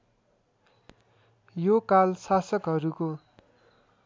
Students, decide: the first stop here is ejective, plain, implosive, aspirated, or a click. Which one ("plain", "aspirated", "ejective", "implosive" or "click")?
plain